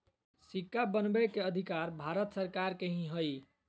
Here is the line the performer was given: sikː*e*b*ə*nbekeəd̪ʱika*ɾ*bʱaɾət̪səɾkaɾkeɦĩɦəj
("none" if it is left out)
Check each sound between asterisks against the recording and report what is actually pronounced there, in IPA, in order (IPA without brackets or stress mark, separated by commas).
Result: a, ə, ɾ